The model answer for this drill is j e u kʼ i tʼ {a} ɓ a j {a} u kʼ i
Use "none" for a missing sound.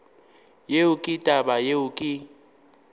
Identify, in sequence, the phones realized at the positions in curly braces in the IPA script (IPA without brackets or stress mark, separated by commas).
a, e